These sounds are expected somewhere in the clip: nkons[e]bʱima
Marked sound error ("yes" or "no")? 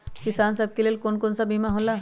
yes